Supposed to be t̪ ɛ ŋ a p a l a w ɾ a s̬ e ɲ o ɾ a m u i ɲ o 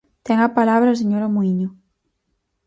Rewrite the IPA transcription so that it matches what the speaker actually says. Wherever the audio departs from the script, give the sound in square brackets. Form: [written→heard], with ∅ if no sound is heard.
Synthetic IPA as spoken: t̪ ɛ ŋ a p a l a [w→β] ɾ a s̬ e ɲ o ɾ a m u i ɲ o